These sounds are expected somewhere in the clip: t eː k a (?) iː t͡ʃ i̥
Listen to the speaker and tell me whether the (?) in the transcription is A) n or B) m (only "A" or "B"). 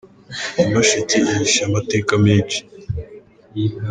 B